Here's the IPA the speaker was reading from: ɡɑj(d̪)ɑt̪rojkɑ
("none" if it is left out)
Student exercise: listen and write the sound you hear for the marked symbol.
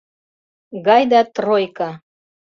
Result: d̪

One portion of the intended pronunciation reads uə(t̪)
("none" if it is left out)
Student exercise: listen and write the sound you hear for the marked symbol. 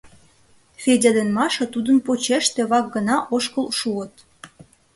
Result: t̪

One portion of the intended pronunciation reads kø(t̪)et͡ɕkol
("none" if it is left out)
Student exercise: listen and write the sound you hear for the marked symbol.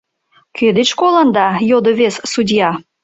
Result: d̪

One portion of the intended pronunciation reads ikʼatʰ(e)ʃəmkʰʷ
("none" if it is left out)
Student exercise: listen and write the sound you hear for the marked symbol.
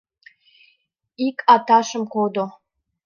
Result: a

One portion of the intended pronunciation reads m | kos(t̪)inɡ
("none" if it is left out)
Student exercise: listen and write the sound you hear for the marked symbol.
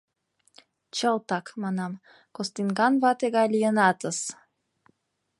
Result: t̪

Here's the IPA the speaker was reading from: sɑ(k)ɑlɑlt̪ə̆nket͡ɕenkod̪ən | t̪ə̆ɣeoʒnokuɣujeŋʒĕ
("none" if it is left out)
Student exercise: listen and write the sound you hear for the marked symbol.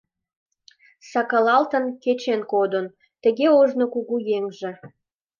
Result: k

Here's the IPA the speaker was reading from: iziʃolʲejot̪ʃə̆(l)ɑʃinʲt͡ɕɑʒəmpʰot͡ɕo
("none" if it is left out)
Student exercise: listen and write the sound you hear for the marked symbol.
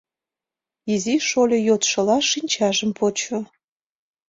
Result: l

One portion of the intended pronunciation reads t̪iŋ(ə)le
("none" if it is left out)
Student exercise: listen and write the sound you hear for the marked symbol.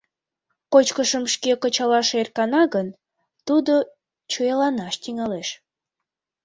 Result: ɑ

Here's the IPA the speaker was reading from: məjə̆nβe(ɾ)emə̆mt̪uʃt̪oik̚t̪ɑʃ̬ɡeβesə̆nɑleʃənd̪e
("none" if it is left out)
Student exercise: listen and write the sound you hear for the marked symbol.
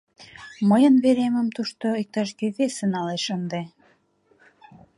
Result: ɾ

